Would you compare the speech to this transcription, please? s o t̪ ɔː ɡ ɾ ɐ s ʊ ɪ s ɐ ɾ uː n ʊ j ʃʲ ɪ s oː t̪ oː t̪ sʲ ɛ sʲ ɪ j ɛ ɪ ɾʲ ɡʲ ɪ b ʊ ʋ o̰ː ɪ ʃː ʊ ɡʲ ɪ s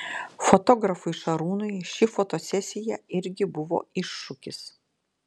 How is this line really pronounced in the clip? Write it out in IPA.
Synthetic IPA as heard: f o t̪ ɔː ɡ ɾ ɐ f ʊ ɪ ʃ ɐ ɾ uː n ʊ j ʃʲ ɪ f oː t̪ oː sʲ ɛ sʲ ɪ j ɛ ɪ ɾʲ ɡʲ ɪ b ʊ ʋ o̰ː ɪ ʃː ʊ kʲ ɪ s